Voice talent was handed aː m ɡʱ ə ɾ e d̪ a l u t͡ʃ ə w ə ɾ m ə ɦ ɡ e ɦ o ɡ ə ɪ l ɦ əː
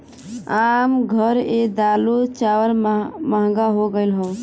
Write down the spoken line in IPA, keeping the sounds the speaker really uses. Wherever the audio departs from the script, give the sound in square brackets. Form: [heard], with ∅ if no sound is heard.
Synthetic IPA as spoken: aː m ɡʱ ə ɾ e d̪ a l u t͡ʃ [a] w ə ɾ m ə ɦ ɡ [a] ɦ o ɡ ə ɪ l ɦ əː